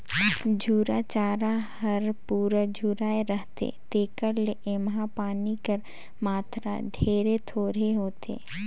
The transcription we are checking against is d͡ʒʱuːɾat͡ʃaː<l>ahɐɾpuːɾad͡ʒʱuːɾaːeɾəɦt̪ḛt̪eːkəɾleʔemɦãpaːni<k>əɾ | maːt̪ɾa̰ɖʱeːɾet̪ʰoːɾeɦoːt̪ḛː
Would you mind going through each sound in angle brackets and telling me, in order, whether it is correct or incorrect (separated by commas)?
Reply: incorrect, correct